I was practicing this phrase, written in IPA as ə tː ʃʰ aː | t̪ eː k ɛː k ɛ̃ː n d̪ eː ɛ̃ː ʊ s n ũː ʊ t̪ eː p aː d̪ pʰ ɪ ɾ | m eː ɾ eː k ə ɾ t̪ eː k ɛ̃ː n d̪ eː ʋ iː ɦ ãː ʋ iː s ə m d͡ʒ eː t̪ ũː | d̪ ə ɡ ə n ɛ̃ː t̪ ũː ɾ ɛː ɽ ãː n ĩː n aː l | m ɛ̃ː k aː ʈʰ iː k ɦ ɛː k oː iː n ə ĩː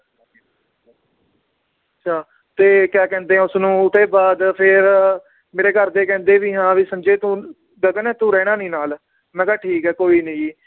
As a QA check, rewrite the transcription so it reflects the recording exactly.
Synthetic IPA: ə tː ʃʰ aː | t̪ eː k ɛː k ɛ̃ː n d̪ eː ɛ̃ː ʊ s n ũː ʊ t̪ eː b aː d̪ pʰ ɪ ɾ | m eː ɾ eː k ə ɾ d̪ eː k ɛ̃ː n d̪ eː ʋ iː ɦ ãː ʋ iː s ə m d͡ʒ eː t̪ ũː | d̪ ə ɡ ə n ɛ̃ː t̪ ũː ɾ ɛː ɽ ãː n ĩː n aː l | m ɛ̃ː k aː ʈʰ iː k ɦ ɛː k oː iː n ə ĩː

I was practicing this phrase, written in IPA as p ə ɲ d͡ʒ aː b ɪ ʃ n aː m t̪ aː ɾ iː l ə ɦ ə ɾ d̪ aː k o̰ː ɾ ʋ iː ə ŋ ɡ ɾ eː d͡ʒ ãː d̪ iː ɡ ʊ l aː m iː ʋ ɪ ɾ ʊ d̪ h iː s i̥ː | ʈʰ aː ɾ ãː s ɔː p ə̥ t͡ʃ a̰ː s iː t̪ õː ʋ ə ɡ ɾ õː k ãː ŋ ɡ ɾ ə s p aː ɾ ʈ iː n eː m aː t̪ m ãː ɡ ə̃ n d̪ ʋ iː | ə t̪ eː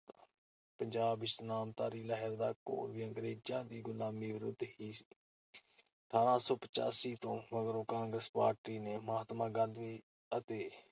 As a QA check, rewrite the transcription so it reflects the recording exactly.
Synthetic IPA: p ə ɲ d͡ʒ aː b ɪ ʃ n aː m t̪ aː ɾ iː l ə ɦ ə ɾ d̪ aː k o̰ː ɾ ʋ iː ə ŋ ɡ ɾ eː d͡ʒ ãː d̪ iː ɡ ʊ l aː m iː ʋ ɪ ɾ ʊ d̪ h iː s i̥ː | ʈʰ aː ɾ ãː s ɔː p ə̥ t͡ʃ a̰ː s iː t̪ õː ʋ ə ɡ ɾ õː k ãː ŋ ɡ ɾ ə s p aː ɾ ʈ iː n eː m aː t̪ m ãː ɡ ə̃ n d̪ ʋ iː | ə t̪ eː

